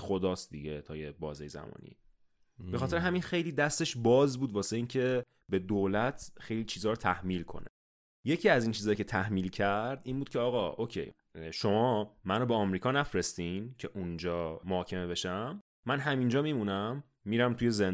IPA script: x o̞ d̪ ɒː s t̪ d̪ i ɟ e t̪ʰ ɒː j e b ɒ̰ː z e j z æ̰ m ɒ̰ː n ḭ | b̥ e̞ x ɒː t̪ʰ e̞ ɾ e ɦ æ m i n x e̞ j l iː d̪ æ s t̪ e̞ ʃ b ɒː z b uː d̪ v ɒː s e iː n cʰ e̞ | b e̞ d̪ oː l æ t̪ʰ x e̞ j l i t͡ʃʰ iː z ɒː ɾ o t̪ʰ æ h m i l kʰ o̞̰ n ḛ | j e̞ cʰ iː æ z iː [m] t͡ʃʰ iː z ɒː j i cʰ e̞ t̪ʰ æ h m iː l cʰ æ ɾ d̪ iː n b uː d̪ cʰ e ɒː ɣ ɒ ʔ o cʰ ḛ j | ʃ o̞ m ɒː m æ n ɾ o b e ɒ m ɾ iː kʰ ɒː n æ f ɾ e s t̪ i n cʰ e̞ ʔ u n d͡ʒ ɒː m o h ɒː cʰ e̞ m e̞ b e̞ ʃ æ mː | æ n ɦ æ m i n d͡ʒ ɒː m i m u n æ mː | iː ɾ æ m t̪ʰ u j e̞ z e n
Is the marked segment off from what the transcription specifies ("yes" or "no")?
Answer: yes